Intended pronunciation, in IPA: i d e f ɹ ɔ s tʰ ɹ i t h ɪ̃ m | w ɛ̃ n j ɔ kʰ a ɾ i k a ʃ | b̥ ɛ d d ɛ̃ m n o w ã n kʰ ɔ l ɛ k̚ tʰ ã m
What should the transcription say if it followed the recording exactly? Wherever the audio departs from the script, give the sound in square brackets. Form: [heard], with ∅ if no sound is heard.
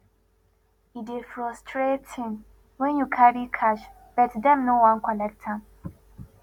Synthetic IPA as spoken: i d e f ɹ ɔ s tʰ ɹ [e] t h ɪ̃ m | w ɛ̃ n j [u] kʰ a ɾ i [kʰ] a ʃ | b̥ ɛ [t] d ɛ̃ m n o w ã n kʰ ɔ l ɛ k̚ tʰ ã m